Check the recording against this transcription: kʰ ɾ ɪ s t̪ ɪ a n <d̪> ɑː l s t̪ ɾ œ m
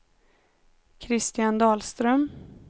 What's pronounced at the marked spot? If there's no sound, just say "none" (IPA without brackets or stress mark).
d̪